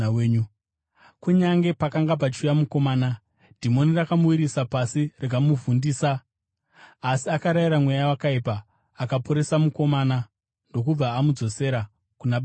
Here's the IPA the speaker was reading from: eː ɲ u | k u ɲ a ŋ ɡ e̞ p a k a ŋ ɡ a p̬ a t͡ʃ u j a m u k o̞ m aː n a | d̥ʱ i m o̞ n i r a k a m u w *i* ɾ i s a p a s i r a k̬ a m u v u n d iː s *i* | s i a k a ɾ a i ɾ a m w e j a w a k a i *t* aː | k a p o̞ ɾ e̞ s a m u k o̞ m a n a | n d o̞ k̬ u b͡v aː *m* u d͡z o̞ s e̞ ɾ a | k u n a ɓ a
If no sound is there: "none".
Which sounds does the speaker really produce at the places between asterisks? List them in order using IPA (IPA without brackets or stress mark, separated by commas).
i, a, p, m